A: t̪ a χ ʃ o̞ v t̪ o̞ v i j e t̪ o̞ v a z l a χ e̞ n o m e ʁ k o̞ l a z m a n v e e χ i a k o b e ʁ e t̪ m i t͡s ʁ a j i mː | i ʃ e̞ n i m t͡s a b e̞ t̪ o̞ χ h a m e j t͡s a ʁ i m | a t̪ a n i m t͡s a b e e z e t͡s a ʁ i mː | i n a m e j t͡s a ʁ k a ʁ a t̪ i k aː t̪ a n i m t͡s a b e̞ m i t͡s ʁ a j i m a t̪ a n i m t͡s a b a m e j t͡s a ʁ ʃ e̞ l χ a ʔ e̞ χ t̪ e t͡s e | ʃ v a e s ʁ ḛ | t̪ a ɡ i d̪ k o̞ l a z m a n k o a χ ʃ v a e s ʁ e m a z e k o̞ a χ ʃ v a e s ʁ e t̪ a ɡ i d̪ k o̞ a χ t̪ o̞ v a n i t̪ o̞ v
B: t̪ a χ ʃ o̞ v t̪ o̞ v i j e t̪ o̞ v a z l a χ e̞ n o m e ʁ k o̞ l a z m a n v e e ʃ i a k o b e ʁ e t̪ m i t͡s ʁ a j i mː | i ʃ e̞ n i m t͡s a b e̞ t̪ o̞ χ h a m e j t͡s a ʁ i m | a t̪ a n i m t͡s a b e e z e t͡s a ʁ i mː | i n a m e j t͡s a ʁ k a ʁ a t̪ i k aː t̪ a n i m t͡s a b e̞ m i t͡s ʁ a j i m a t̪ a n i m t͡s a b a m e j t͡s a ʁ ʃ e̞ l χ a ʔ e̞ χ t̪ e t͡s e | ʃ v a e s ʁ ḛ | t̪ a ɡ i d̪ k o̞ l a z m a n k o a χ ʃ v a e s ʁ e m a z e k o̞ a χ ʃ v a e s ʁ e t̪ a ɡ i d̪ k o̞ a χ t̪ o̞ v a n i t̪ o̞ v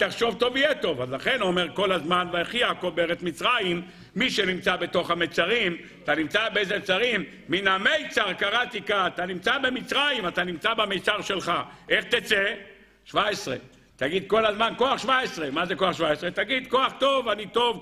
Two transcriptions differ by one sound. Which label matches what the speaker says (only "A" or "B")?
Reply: A